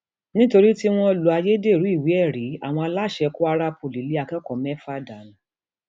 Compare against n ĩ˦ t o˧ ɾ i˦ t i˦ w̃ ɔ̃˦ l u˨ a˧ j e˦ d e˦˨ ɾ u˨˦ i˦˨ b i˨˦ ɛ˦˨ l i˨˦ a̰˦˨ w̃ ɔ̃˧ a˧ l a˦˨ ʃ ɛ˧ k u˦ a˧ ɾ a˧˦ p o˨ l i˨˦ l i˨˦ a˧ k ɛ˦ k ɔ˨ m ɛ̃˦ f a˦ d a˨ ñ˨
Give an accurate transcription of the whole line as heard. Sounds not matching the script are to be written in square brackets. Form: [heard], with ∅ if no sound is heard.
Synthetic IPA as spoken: n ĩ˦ t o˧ ɾ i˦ t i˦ w̃ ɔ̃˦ l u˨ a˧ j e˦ d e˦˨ ɾ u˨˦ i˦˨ [w] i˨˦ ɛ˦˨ [ɾ] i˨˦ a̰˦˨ w̃ ɔ̃˧ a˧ l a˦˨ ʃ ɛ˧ k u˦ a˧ ɾ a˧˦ p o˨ l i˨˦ l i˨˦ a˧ k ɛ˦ k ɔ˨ m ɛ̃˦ f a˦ d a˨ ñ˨